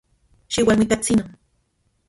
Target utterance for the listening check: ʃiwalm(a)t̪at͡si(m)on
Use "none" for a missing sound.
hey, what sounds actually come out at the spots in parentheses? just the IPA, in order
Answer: i, n

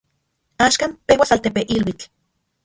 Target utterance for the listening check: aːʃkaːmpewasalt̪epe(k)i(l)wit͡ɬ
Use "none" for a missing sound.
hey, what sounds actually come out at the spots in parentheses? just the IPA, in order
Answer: ʔ, l

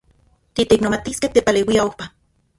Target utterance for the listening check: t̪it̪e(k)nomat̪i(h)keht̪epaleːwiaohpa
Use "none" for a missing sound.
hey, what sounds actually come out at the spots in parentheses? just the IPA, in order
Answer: k, s

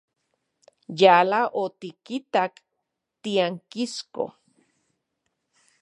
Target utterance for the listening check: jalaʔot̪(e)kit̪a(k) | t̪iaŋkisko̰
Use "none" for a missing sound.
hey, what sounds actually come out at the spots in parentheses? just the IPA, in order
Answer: i, k

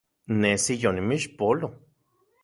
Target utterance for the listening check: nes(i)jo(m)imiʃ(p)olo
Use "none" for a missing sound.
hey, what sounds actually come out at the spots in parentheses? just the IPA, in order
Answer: i, n, p

